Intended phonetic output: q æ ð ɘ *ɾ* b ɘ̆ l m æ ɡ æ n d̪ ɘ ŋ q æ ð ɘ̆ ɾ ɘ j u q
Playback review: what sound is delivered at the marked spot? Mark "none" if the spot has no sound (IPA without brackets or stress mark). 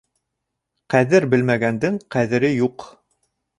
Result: ɾ